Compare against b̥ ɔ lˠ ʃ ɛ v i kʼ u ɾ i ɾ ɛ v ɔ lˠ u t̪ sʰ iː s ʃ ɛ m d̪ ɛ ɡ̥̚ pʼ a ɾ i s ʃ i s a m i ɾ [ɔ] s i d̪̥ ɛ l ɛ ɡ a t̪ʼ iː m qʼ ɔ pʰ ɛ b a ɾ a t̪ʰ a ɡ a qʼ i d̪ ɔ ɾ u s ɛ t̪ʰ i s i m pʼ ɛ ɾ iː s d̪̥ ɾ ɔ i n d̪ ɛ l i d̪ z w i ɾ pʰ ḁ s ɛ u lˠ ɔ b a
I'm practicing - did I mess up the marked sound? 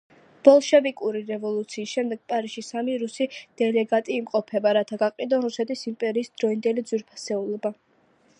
yes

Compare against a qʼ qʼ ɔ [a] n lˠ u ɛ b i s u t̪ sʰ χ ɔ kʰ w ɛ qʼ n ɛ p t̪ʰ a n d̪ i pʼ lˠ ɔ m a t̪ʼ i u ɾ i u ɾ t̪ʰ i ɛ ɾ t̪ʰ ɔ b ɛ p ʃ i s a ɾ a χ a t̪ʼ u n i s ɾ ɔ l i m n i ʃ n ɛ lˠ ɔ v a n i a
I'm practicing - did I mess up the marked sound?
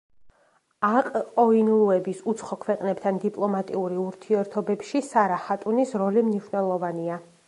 yes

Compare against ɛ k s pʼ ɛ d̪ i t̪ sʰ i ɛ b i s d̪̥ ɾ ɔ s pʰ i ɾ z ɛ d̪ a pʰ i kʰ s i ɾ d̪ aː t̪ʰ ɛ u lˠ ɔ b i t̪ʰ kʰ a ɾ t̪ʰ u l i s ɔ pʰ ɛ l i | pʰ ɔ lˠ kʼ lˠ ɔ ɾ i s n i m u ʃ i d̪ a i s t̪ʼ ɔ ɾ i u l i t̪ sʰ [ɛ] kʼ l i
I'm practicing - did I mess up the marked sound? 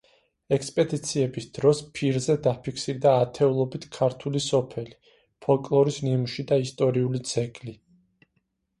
no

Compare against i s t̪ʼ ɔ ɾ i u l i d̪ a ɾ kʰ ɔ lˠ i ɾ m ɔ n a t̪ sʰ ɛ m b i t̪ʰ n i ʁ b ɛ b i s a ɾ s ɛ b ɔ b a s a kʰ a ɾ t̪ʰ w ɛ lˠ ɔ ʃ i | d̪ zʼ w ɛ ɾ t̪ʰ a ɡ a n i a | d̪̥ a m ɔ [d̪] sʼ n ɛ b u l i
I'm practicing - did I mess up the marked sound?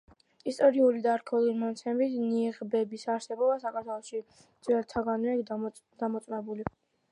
yes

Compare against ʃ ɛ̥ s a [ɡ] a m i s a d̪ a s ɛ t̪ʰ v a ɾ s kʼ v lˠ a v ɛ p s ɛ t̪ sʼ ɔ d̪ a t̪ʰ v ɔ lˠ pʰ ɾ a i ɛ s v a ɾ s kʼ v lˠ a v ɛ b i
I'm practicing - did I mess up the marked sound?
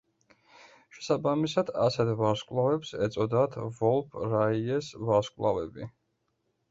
yes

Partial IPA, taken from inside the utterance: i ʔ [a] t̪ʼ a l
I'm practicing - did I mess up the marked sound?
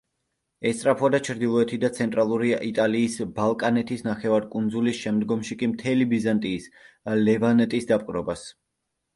yes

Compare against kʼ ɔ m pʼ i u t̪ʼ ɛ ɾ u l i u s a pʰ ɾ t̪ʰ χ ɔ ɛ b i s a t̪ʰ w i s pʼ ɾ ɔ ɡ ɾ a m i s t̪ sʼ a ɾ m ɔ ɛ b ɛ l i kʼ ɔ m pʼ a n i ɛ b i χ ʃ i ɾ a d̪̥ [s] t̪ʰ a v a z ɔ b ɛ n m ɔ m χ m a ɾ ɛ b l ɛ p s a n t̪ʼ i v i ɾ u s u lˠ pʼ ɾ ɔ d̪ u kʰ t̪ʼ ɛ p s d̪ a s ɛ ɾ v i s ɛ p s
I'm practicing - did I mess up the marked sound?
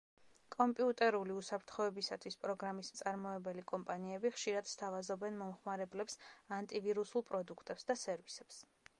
no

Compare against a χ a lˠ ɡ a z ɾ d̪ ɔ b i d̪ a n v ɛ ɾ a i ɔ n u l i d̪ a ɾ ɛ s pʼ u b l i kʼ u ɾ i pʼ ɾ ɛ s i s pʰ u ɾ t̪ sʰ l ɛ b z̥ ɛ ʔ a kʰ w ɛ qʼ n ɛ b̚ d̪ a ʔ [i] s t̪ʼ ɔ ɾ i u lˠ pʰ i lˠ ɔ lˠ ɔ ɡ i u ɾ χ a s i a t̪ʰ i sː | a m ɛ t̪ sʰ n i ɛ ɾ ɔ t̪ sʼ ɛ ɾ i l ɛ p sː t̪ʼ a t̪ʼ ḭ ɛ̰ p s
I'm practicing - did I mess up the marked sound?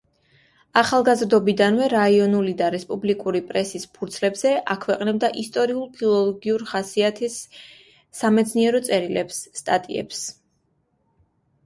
no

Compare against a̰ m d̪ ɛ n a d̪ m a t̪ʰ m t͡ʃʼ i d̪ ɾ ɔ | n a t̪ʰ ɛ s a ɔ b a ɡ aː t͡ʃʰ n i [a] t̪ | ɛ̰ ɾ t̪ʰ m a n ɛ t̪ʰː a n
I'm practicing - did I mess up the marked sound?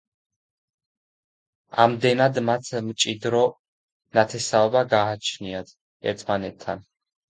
no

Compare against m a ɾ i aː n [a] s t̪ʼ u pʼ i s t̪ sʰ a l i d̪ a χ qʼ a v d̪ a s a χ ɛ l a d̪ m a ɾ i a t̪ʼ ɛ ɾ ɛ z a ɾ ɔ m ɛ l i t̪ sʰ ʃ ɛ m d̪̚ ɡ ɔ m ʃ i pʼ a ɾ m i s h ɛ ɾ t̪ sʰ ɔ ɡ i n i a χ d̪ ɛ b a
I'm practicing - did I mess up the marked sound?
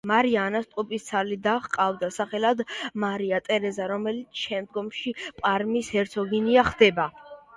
no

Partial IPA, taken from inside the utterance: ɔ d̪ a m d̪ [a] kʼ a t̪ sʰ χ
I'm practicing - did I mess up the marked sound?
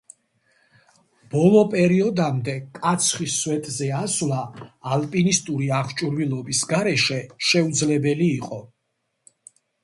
yes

